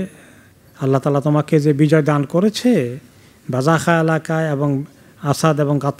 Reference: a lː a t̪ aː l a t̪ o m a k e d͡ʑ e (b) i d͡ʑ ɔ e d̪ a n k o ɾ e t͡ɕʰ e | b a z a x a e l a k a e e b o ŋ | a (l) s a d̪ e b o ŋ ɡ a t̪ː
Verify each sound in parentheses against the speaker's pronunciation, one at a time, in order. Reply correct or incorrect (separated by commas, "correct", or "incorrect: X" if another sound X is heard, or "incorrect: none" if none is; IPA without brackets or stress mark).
correct, incorrect: none